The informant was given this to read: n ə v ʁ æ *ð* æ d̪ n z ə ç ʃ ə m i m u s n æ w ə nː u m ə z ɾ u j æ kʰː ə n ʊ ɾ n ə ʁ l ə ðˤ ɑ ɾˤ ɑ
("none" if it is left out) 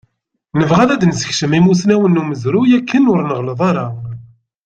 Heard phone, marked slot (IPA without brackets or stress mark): ð